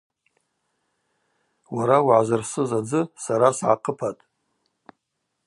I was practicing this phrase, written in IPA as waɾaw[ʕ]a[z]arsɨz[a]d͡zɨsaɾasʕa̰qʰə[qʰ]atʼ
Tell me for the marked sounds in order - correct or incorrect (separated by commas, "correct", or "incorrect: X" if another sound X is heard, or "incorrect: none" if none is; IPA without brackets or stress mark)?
correct, correct, correct, incorrect: pʰ